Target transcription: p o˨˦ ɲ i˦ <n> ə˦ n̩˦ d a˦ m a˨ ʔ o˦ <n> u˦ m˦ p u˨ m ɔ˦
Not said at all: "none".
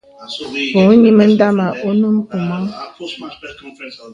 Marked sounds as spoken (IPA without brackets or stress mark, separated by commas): m, n